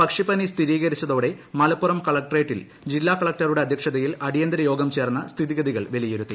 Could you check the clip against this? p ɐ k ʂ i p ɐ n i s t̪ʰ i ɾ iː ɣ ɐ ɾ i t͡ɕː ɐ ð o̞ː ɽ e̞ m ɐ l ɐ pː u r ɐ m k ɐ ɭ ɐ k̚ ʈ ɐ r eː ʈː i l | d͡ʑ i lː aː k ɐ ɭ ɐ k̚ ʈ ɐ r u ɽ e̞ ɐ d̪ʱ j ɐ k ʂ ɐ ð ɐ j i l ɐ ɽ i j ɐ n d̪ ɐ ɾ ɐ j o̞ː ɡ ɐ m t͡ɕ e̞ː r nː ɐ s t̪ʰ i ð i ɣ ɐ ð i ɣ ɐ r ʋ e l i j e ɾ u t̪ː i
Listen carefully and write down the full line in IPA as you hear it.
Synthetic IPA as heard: p ɐ k ʂ i p ɐ n i s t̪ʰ i ɾ iː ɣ ɐ ɾ i t͡ɕː ɐ ð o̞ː ɽ e̞ m ɐ l ɐ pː u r ɐ m k ɐ ɭ ɐ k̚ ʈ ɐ r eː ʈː i l | d͡ʑ i lː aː k ɐ ɭ ɐ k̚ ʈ ɐ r u ɽ e̞ ɐ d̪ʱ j ɐ k ʂ ɐ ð ɐ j i l ɐ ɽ i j ɐ n d̪ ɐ ɾ ɐ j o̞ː ɡ ɐ m t͡ɕ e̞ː r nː ɐ s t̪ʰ i ð i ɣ ɐ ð i ɣ ɐ ɭ ʋ e l i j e ɾ u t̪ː i

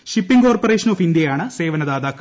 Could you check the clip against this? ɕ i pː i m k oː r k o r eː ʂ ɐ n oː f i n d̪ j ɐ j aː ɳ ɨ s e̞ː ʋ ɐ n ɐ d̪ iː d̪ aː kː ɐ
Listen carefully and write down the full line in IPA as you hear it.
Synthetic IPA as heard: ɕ i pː i ŋ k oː r p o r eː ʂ ɐ n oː f i n d̪ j ɐ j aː ɳ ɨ s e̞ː ʋ ɐ n ɐ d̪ aː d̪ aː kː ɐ

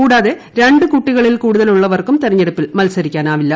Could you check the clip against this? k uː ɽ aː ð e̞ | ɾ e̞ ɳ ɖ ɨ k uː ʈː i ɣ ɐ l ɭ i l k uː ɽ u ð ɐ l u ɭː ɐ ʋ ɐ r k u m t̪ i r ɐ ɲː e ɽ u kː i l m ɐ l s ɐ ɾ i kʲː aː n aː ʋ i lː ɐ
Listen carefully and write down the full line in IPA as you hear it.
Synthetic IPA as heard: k uː ɽ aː ð e̞ | ɾ e̞ ɳ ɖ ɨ k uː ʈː i ɣ ɐ ɭ i l k uː ɽ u ð ɐ l u ɭː ɐ ʋ ɐ r k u m t̪ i r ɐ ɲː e ɽ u pː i l m ɐ l s ɐ ɾ i kʲː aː n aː ʋ i lː ɐ

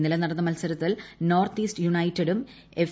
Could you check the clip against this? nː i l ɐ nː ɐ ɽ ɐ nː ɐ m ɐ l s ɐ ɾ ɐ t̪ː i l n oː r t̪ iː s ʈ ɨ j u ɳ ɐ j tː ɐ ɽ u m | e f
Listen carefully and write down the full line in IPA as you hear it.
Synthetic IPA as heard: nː i l ɐ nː ɐ ɽ ɐ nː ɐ m ɐ l s ɐ ɾ ɐ t̪ː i l n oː r t̪ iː s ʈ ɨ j u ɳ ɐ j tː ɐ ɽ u m | e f

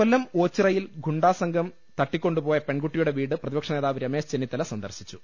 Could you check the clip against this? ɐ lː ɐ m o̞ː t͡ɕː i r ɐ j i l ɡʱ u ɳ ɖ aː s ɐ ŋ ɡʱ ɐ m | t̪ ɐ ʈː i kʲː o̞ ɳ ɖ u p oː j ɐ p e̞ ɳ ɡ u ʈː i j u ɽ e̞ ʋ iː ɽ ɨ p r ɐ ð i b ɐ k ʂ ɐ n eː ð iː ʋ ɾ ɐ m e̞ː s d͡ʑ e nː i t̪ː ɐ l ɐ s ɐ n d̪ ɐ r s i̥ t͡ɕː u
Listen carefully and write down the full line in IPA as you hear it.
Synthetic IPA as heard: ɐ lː ɐ m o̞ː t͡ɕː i r ɐ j i l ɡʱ u ɳ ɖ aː s ɐ ŋ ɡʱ ɐ m | t̪ ɐ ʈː i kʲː o̞ ɳ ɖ u p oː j ɐ p e̞ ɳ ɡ u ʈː i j u ɽ e̞ ʋ iː ɽ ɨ p r ɐ ð i b ɐ k ʂ ɐ n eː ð aː ʋ ɾ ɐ m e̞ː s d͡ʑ e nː i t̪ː ɐ l ɐ s ɐ n d̪ ɐ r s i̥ t͡ɕː u

